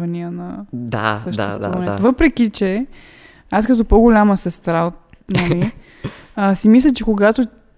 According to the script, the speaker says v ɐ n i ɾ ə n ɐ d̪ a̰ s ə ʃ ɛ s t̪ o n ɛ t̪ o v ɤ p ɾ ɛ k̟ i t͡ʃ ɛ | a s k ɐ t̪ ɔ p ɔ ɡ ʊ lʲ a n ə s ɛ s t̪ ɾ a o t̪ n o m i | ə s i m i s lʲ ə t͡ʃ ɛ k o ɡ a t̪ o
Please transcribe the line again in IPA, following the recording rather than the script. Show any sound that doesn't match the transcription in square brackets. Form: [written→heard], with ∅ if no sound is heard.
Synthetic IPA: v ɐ n i [ɾ→∅] ə n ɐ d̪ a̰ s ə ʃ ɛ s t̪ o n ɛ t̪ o v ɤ p ɾ ɛ k̟ i t͡ʃ ɛ | a s k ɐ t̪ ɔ p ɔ ɡ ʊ lʲ a [n→m] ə s ɛ s t̪ ɾ a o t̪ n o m i | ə s i m i s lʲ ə t͡ʃ ɛ k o ɡ a t̪ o